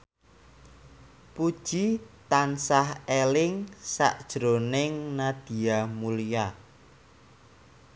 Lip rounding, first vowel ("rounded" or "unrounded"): rounded